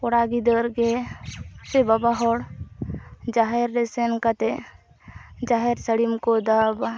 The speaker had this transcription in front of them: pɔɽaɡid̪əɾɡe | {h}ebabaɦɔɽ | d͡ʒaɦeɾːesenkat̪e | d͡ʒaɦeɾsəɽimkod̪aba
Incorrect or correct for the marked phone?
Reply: incorrect: s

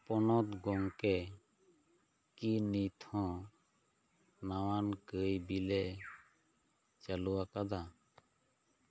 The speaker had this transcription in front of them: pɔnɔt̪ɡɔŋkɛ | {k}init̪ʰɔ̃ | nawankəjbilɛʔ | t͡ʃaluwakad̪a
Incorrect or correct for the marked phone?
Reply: correct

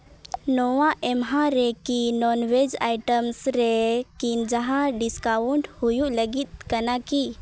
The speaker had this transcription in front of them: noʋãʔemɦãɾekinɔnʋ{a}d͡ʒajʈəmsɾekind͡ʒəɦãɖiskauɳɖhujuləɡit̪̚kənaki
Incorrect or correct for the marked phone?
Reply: incorrect: e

